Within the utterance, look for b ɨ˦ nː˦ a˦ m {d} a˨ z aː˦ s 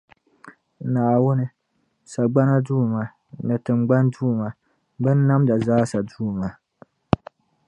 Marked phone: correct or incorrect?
correct